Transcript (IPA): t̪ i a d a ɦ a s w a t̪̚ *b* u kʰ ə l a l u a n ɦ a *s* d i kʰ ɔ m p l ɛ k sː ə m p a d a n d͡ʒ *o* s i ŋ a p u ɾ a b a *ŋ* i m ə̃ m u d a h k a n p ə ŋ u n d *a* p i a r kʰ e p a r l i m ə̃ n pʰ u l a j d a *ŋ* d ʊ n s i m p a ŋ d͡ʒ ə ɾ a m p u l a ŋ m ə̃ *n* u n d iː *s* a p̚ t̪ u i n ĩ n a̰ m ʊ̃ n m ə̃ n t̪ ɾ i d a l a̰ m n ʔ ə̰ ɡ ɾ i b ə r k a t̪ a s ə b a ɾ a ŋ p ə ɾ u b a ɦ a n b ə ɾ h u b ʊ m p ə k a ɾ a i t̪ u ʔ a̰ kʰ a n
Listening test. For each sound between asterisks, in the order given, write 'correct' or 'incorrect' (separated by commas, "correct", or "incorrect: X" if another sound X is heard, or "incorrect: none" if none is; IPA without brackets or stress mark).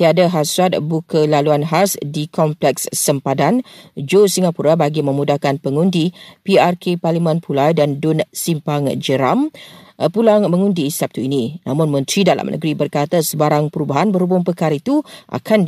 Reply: correct, correct, correct, incorrect: ɡ, incorrect: i, incorrect: n, incorrect: ŋ, correct